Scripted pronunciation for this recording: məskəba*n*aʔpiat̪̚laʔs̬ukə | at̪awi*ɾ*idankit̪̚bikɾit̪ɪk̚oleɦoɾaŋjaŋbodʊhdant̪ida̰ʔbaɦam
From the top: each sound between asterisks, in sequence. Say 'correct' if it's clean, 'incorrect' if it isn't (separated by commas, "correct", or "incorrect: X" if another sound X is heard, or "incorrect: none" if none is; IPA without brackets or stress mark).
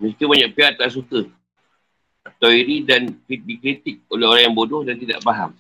incorrect: ɲ, correct